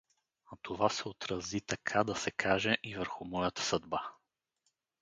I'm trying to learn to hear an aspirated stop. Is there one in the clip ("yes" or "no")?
yes